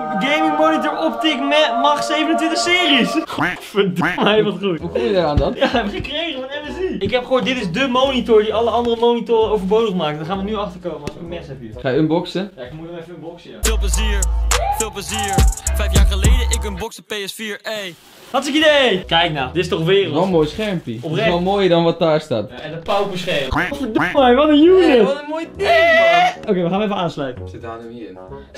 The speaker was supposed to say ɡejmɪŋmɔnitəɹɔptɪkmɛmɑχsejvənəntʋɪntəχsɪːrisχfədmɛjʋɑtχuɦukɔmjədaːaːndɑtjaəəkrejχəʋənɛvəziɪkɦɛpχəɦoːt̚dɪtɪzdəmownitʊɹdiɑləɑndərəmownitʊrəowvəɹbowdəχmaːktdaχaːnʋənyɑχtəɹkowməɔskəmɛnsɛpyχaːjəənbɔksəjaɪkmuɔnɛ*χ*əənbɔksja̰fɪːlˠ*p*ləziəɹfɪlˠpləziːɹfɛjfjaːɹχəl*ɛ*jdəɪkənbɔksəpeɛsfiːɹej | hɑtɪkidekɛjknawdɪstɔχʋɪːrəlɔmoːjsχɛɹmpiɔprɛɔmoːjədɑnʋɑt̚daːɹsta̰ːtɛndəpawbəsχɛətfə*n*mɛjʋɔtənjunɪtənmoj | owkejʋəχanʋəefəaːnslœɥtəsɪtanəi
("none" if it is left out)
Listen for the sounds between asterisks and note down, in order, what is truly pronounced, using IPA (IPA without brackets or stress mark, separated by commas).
f, p, e, d